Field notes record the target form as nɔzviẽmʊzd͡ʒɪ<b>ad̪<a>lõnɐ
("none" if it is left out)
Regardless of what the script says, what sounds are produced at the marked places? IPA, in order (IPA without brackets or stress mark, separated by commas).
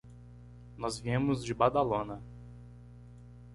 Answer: b, a